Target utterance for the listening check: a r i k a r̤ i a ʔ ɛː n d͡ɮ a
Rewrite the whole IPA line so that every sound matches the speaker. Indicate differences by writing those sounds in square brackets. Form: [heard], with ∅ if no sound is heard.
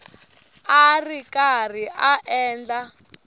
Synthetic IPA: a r i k a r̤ i a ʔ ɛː n d͡ɮ a